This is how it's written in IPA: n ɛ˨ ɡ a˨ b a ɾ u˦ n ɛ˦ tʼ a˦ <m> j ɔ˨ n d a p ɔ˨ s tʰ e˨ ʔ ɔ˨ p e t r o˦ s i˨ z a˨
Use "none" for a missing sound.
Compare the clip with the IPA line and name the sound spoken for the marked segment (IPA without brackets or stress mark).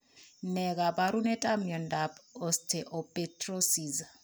m